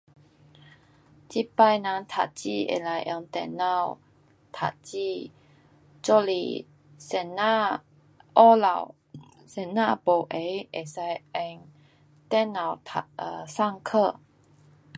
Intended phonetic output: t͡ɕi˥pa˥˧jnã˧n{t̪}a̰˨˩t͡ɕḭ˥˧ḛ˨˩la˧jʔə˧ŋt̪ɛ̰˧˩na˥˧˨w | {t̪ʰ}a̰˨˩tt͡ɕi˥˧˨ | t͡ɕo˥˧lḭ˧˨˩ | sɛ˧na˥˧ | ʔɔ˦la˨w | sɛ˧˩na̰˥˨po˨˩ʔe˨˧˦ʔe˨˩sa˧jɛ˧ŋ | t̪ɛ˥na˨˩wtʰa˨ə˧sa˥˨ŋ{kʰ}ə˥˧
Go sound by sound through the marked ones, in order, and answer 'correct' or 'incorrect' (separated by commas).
incorrect, correct, correct